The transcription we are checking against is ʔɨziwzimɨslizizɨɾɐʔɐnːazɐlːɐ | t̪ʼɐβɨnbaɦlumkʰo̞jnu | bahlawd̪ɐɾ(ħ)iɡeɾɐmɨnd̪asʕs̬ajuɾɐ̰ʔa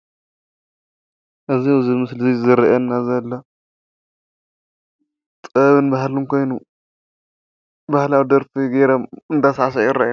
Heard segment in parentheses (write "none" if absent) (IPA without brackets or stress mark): f